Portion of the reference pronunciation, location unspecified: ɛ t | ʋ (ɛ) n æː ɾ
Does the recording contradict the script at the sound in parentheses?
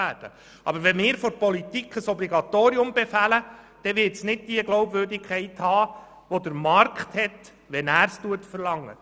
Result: no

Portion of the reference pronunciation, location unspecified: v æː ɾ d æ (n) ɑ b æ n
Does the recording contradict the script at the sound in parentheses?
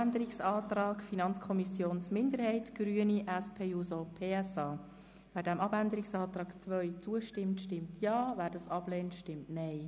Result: yes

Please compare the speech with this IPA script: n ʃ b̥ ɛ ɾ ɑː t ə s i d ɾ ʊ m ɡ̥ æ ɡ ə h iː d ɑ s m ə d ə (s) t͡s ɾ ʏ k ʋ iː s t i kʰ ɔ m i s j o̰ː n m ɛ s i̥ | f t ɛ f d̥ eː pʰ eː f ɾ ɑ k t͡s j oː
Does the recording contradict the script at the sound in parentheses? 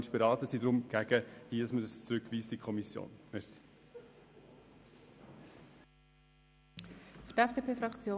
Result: no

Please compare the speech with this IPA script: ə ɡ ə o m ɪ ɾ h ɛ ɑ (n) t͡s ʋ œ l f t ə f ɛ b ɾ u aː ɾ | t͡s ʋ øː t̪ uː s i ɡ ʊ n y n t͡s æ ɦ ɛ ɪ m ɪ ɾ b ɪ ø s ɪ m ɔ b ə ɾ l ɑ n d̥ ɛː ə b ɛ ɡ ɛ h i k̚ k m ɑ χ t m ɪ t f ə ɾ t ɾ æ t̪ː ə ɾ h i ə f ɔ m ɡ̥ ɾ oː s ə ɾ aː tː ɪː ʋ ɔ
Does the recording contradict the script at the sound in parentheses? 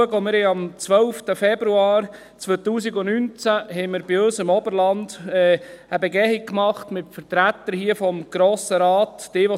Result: yes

